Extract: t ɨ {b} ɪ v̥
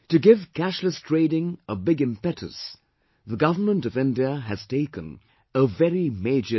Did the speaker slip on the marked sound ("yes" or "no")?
yes